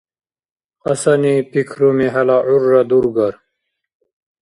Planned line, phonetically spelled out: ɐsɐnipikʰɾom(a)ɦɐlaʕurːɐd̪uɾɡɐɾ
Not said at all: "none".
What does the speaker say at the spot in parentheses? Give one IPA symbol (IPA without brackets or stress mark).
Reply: i